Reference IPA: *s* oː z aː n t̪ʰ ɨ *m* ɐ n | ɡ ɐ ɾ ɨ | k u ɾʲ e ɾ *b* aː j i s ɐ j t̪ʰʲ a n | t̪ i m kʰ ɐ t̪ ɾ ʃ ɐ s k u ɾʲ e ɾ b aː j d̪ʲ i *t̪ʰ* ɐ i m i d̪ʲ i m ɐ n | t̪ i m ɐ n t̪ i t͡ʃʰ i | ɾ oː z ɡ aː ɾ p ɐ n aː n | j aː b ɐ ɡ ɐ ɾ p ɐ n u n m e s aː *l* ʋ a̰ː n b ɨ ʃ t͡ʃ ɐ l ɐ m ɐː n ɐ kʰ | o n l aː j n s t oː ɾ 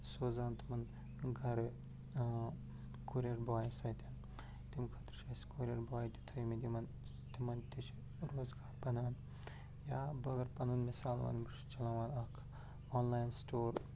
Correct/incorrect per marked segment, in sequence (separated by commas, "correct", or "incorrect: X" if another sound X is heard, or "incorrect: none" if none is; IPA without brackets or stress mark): correct, correct, correct, correct, correct